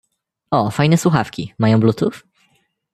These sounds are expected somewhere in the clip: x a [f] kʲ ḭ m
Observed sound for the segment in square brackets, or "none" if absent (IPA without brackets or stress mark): f